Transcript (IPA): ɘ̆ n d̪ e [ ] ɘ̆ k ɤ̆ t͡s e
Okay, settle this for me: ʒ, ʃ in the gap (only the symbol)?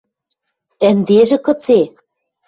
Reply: ʒ